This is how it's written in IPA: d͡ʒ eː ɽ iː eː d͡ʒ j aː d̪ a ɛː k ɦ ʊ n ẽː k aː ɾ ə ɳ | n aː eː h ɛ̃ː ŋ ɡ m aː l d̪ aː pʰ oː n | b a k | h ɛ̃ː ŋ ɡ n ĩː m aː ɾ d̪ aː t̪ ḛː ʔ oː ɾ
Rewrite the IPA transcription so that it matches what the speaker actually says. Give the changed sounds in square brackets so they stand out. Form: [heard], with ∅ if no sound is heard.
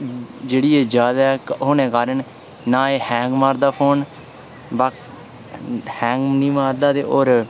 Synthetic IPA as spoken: d͡ʒ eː ɽ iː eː d͡ʒ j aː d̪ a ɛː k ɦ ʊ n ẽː k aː ɾ ə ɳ | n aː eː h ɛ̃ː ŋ ɡ m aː [ɾ] d̪ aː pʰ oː n | b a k | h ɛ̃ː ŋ ɡ n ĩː m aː ɾ d̪ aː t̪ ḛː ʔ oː ɾ